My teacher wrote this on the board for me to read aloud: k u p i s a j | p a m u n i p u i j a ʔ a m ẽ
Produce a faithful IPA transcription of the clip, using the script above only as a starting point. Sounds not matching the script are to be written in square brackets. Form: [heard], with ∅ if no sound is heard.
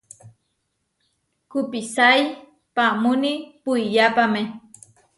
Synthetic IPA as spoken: k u p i s a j | p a m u n i p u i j a [p] a m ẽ